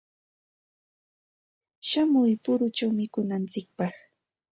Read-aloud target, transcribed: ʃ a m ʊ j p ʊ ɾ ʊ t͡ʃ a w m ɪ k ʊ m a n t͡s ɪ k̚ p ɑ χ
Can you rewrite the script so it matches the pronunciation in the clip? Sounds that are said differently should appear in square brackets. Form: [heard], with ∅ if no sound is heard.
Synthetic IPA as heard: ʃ a m ʊ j p ʊ ɾ ʊ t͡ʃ a w m ɪ k ʊ [n] a n t͡s ɪ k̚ p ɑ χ